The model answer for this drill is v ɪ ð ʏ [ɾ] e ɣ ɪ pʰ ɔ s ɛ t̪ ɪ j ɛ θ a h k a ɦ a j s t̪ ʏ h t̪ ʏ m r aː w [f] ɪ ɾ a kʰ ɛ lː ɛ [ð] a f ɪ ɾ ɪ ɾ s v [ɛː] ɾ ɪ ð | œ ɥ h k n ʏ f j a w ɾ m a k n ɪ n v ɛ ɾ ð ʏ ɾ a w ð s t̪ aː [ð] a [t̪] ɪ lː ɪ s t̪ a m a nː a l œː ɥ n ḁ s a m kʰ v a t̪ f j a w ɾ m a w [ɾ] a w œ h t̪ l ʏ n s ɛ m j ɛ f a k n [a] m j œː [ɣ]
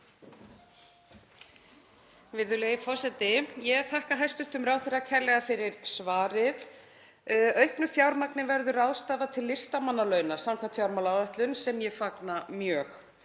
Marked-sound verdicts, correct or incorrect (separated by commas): incorrect, incorrect, incorrect, incorrect, incorrect, incorrect, incorrect, correct, incorrect